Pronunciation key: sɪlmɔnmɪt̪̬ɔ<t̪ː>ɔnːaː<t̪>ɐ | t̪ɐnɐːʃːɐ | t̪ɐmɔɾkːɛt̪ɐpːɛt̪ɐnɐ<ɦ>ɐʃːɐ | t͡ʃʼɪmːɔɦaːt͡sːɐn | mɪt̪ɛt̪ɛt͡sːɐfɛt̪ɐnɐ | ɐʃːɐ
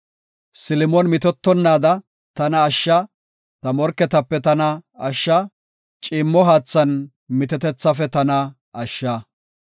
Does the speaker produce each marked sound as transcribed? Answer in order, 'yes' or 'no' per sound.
yes, no, no

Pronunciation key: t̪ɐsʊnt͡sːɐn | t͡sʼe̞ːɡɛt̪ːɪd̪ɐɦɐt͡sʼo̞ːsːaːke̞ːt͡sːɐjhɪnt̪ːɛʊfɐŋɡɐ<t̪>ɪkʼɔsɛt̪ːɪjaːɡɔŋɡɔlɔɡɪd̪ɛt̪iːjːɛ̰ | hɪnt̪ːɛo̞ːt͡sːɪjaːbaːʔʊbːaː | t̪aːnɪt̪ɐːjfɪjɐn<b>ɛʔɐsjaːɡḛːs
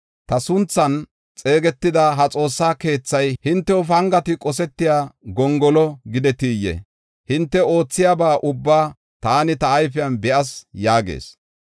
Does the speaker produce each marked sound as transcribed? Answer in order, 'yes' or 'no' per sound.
yes, yes

